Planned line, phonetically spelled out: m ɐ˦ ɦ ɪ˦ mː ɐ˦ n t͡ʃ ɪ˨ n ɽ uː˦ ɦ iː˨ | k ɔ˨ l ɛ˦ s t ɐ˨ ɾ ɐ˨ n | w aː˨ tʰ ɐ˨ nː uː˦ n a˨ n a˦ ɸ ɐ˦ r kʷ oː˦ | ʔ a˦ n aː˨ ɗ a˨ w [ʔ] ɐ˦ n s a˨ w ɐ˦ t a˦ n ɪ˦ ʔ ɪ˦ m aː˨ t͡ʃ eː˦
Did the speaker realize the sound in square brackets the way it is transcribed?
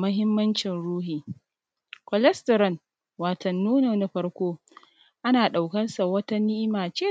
no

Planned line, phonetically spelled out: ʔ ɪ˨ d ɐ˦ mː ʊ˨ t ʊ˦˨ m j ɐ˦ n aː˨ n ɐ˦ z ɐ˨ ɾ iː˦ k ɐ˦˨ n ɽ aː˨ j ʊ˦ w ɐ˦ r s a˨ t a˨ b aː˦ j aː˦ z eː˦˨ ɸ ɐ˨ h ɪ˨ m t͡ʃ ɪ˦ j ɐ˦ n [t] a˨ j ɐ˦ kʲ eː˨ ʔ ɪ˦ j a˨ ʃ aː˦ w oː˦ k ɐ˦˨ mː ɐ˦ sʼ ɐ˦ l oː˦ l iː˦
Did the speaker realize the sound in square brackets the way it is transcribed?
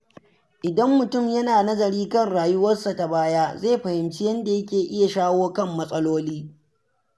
no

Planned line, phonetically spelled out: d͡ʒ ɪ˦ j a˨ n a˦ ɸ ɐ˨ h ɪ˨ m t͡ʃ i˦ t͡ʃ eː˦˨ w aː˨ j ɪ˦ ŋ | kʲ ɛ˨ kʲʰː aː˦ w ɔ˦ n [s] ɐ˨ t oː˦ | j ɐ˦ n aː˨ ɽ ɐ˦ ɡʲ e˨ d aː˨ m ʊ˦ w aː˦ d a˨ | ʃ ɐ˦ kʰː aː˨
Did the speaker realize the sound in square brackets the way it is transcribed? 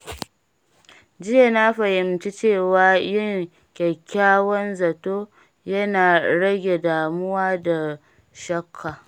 no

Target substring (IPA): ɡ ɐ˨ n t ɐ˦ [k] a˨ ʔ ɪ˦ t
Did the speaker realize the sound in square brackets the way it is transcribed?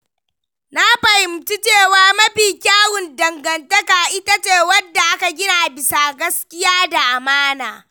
yes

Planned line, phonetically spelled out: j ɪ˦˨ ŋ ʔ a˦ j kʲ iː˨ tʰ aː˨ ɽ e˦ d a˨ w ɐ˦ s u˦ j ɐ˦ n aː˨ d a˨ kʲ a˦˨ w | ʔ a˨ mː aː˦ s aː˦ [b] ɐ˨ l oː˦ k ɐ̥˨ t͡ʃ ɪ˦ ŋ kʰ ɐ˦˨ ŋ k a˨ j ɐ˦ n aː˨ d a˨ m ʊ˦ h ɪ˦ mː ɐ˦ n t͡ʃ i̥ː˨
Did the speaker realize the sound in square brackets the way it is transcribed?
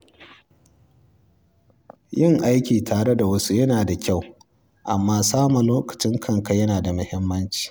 no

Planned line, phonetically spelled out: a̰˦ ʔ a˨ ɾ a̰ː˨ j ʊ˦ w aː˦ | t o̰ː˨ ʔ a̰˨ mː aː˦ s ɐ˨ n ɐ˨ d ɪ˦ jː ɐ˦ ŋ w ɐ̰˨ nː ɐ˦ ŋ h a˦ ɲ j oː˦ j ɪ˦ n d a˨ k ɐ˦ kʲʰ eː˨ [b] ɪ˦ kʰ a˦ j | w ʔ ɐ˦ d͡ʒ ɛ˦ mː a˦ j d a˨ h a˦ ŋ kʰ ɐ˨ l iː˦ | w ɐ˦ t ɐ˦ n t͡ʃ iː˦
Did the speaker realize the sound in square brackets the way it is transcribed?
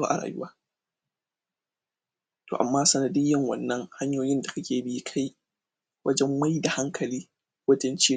yes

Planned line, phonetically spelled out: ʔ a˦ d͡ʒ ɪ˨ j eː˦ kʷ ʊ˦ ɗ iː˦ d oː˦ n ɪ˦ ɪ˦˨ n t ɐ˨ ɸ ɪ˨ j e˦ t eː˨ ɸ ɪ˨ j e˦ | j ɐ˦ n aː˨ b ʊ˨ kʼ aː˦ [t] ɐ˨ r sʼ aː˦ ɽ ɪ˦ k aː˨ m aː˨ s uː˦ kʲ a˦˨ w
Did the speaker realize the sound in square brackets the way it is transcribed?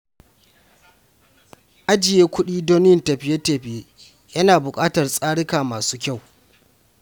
yes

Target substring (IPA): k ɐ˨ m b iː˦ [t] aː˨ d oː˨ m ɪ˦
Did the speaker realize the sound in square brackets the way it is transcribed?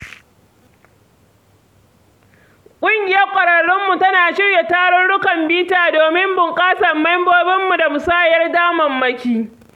yes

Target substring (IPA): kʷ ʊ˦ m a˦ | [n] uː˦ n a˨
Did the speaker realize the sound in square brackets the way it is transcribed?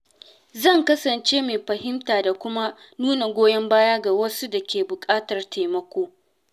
yes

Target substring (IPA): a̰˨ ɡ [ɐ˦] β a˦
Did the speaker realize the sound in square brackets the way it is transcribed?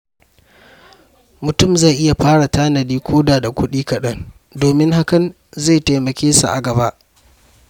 no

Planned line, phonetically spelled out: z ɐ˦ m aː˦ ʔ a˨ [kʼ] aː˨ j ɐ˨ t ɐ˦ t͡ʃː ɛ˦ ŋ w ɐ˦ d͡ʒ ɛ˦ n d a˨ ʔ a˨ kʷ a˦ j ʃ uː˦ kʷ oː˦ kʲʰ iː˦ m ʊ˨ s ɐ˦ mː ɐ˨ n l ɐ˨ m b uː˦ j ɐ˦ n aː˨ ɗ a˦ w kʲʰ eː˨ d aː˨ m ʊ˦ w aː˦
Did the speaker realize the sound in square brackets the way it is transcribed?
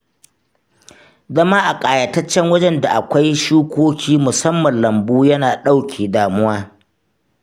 yes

